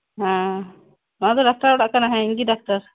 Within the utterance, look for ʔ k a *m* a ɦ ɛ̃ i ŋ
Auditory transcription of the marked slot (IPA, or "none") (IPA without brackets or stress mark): n